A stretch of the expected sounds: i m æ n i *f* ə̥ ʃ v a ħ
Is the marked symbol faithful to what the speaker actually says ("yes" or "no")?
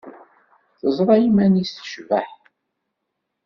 no